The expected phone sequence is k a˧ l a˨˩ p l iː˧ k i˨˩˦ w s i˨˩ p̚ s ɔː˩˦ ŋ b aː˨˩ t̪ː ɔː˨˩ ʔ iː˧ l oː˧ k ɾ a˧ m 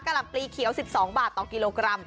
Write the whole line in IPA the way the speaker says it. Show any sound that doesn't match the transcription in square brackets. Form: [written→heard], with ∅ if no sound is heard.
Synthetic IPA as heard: k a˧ l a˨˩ p l iː˧ [k→kʰ] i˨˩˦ w s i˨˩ p̚ s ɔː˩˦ ŋ b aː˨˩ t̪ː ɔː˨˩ [ʔ→k] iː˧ l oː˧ k ɾ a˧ m